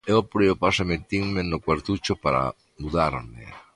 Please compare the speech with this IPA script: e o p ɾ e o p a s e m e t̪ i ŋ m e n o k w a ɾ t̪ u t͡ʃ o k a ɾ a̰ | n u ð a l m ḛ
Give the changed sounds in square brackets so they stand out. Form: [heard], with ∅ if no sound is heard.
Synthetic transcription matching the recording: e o p ɾ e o p a s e m e t̪ i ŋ m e n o k w a ɾ t̪ u t͡ʃ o [p] a ɾ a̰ | [m] u ð a [ɾ] m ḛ